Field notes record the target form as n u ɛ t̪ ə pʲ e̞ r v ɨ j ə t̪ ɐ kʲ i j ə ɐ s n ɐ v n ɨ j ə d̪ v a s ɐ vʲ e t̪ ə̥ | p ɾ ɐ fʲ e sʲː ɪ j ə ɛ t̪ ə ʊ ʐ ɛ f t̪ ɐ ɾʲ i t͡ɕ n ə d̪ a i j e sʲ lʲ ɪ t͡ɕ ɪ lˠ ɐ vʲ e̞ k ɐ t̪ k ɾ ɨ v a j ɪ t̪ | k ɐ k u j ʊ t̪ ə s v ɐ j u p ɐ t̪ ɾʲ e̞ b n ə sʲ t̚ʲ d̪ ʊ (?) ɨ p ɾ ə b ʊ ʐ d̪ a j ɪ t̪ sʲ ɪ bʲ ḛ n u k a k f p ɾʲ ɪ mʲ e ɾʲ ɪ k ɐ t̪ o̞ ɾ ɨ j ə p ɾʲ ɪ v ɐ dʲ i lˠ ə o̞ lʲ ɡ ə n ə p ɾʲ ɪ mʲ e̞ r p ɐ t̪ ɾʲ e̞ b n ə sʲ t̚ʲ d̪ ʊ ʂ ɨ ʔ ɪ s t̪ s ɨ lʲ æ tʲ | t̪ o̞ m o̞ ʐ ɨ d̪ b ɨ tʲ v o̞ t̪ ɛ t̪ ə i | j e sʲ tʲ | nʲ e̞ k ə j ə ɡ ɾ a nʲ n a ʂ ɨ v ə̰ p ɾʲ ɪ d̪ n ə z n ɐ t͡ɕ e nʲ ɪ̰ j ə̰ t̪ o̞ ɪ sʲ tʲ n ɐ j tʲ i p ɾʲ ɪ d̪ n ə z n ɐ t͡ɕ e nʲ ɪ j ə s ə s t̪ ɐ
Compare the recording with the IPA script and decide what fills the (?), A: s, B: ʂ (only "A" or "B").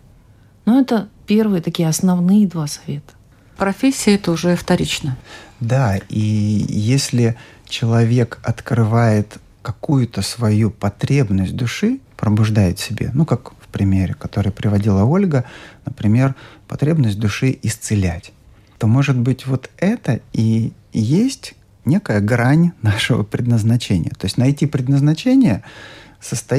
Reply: B